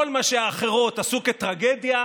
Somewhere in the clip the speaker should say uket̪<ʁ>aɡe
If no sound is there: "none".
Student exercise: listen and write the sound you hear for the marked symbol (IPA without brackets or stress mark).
ʁ